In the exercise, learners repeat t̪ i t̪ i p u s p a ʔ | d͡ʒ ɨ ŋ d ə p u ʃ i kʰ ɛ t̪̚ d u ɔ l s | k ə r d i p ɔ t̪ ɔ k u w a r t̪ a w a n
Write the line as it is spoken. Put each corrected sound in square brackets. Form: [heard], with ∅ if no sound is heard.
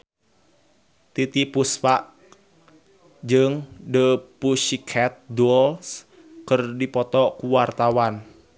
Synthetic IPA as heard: t̪ i t̪ i p u s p a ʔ | d͡ʒ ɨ ŋ d ə p u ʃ i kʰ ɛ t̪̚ d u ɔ l s | k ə r d i p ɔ t̪ ɔ k u w a r t̪ a w a n

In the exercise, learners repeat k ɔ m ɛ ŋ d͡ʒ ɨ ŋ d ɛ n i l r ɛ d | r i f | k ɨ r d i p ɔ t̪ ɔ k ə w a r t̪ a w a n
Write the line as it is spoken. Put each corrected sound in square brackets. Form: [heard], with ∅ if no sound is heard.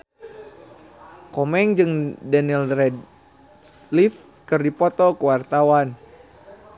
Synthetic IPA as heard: k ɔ m ɛ ŋ d͡ʒ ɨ ŋ d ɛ n i l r ɛ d | [l] i f | k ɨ r d i p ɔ t̪ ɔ k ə w a r t̪ a w a n

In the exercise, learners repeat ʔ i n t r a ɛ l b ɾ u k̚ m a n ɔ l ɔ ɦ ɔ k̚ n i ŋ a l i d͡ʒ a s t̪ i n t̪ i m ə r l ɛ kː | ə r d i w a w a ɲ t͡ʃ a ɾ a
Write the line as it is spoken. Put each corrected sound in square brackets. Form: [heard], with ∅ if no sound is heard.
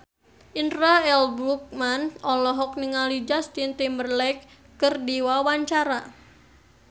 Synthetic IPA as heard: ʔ i n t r a ɛ l b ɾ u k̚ m a n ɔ l ɔ ɦ ɔ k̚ n i ŋ a l i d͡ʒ a s t̪ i n t̪ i m ə r l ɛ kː | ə r d i w a w a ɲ t͡ʃ a ɾ a

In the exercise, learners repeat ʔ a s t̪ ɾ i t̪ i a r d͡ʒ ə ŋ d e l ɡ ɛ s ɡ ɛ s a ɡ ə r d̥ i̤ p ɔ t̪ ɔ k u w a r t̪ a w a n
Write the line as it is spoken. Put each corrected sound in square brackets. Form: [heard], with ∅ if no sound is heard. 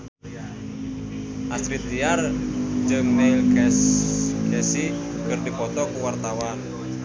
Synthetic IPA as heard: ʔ a s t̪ ɾ i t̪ i a r d͡ʒ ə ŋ [n] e l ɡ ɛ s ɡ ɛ s [i] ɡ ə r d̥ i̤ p ɔ t̪ ɔ k u w a r t̪ a w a n

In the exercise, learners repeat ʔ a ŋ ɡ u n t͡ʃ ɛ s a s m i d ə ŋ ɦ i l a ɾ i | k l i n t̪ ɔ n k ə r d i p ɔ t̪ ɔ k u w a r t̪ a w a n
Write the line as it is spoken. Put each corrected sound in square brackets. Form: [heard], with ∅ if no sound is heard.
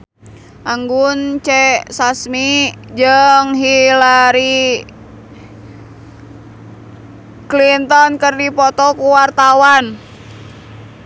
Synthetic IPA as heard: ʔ a ŋ ɡ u n t͡ʃ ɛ s a s m i [d͡ʒ] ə ŋ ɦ i l a ɾ i | k l i n t̪ ɔ n k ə r d i p ɔ t̪ ɔ k u w a r t̪ a w a n

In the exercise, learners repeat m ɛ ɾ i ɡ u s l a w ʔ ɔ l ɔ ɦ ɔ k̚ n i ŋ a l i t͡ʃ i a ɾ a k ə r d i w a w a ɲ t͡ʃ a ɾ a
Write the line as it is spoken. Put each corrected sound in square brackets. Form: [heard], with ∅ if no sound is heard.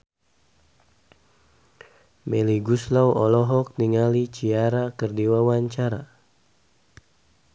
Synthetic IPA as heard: m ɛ [l] i ɡ u s l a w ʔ ɔ l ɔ ɦ ɔ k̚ n i ŋ a l i t͡ʃ i a ɾ a k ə r d i w a w a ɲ t͡ʃ a ɾ a

